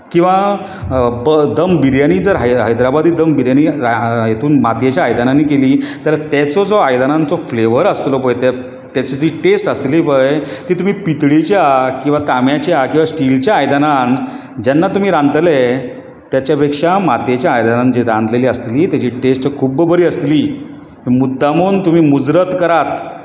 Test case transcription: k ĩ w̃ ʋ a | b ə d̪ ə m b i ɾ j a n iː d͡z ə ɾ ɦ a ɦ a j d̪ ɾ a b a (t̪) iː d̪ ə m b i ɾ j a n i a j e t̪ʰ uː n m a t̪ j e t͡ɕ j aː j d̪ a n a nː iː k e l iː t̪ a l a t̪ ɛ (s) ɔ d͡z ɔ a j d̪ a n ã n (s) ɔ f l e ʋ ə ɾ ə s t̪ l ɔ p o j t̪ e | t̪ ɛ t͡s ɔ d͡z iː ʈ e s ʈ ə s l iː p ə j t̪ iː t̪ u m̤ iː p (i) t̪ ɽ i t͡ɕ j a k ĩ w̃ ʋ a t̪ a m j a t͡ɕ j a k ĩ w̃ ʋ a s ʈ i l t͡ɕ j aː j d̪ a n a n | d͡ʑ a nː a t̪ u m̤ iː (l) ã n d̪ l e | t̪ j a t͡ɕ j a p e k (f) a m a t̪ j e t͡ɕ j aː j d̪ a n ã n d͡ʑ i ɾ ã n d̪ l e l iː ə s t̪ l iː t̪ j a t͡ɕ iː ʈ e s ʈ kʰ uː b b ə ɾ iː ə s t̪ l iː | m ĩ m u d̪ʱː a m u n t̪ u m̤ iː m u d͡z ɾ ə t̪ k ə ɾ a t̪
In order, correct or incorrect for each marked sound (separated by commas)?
incorrect, incorrect, incorrect, correct, incorrect, incorrect